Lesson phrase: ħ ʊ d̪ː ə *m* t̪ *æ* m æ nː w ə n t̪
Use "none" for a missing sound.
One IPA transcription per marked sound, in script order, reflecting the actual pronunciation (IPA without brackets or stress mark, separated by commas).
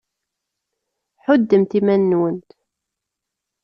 m, i